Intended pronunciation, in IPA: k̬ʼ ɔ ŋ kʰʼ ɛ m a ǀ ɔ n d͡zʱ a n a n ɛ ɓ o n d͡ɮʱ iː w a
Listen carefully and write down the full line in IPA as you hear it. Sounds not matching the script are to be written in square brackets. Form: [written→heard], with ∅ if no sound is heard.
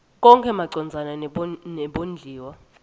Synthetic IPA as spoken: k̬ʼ ɔ ŋ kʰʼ ɛ m a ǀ ɔ n d͡zʱ a n a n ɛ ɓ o n d͡ɮʱ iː w a